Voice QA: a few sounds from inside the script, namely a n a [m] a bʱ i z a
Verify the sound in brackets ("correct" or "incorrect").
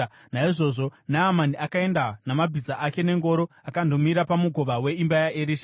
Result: correct